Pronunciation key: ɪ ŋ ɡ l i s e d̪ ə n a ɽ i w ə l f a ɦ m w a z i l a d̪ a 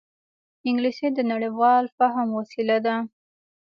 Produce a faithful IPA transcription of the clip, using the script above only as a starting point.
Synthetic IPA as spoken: ɪ ŋ ɡ l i s e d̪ ə n a ɽ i w ɑ l f a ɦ m w a s i l a d̪ a